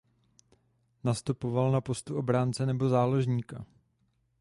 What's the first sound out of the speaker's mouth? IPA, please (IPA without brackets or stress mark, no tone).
n